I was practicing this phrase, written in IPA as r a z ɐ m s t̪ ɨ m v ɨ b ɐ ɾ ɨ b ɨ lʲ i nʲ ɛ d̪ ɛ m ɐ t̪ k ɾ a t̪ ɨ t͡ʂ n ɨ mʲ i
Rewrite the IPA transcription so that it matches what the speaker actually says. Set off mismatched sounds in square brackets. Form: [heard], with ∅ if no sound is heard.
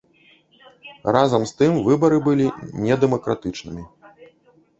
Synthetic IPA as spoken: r a z ɐ m s t̪ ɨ m v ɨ b ɐ ɾ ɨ b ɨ lʲ i nʲ ɛ d̪ ɛ m ɐ [∅] k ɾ a t̪ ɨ t͡ʂ n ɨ mʲ i